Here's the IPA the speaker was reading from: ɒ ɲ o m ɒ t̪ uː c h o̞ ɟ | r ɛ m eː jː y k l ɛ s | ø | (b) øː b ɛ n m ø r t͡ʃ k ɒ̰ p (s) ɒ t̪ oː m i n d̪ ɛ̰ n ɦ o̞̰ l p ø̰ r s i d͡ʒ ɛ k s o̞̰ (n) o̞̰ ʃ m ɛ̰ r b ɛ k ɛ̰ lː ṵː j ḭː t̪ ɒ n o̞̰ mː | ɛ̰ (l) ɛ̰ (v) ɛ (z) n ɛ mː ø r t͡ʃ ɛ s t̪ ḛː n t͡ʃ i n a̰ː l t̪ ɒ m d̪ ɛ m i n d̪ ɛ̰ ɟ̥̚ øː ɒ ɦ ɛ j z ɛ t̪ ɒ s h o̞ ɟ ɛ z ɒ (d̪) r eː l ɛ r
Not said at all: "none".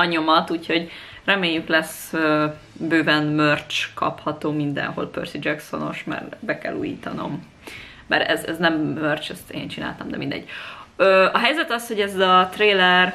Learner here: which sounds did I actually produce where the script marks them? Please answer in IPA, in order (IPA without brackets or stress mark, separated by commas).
b, h, n, ɾ, z, z, t̪